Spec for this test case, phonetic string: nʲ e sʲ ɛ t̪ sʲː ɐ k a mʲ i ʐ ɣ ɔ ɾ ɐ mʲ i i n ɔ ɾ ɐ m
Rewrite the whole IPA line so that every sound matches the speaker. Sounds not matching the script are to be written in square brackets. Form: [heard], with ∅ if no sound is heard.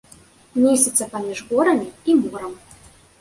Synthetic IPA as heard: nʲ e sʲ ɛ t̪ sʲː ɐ [p] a mʲ i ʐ ɣ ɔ ɾ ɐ mʲ i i [m] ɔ ɾ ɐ m